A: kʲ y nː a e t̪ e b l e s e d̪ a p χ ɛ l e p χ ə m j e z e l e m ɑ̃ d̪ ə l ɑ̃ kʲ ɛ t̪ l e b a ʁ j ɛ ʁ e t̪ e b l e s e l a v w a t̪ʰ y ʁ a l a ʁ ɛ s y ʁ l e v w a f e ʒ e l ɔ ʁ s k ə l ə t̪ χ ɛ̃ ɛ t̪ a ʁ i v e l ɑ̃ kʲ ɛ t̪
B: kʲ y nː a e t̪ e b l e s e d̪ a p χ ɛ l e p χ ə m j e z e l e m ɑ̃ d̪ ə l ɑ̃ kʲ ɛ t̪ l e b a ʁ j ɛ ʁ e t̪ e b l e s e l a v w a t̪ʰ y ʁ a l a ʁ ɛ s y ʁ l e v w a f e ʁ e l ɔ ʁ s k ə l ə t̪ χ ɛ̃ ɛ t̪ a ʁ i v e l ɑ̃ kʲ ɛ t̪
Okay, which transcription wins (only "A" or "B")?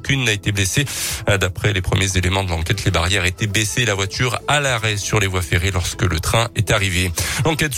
B